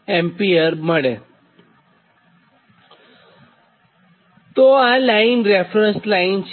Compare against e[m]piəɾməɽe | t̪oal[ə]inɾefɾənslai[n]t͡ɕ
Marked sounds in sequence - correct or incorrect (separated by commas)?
correct, incorrect, correct